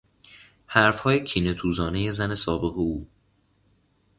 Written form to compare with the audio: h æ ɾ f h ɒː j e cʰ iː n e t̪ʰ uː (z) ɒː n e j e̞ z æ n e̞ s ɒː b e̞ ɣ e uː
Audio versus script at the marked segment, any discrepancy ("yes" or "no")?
no